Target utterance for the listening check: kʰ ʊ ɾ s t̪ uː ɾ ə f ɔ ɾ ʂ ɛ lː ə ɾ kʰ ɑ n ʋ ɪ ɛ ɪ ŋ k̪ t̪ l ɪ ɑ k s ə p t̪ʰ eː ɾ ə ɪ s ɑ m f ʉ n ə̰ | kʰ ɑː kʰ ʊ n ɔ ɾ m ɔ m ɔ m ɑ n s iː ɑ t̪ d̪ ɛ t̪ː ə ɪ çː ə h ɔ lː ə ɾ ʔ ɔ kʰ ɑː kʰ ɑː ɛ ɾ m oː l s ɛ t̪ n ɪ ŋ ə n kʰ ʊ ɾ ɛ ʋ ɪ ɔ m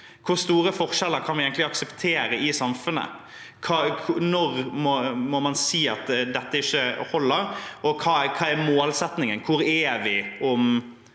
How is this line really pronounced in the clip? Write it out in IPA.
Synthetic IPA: kʰ ʊ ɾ s t̪ uː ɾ ə f ɔ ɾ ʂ ɛ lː ə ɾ kʰ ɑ n ʋ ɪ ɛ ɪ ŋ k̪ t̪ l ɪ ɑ k s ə p t̪ʰ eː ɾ ə ɪ s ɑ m f ʉ n ə̰ | kʰ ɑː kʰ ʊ n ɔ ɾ m ɔ m ɔ m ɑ n s iː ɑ t̪ d̪ ɛ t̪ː ə ɪ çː ə h ɔ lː ə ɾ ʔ ɔ kʰ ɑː kʰ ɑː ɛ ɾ m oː l s ɛ t̪ n ɪ ŋ ə n kʰ ʊ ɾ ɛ ʋ ɪ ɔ m